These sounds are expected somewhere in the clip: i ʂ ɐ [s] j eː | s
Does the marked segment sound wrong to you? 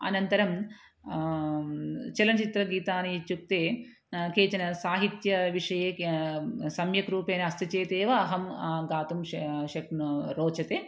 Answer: yes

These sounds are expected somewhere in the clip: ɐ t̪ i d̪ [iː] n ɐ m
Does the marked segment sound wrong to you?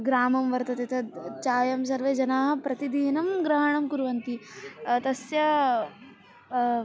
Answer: no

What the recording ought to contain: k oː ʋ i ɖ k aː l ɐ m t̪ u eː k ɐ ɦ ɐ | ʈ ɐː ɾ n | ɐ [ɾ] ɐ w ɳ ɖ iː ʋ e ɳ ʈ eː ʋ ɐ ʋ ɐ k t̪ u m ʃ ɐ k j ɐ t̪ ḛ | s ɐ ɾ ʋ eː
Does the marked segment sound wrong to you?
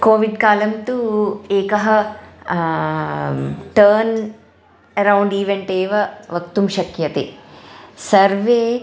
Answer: no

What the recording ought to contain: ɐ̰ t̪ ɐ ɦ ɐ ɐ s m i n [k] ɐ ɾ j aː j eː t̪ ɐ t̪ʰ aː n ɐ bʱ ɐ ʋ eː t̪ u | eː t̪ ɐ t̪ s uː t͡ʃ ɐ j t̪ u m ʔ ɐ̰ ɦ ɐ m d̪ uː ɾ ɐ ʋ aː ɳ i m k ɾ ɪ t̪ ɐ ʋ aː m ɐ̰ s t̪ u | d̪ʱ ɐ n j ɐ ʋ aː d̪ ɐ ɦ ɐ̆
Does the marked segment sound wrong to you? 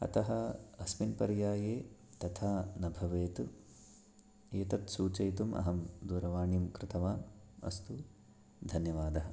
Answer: yes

